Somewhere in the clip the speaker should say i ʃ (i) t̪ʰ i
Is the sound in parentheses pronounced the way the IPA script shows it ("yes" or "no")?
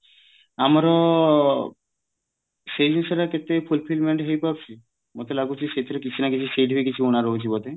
no